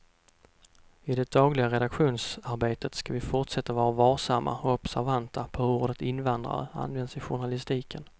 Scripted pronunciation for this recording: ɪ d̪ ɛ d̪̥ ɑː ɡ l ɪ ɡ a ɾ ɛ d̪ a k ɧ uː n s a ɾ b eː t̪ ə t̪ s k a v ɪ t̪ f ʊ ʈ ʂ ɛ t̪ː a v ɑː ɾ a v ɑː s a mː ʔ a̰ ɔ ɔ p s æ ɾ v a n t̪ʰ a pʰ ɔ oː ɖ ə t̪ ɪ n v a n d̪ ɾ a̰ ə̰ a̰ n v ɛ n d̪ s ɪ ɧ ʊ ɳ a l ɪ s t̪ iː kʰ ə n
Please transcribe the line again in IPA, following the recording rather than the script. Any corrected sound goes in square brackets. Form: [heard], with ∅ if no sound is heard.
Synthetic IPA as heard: ɪ d̪ ɛ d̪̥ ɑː ɡ l ɪ ɡ a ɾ ɛ d̪ a k ɧ uː n s a ɾ b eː t̪ ə t̪ s k a v ɪ [∅] f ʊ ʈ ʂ ɛ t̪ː a v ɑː ɾ a v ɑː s a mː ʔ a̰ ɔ ɔ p s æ ɾ v a n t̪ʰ a pʰ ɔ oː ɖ ə t̪ ɪ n v a n d̪ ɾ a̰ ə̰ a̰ n v ɛ n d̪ s ɪ ɧ ʊ ɳ a l ɪ s t̪ iː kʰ ə n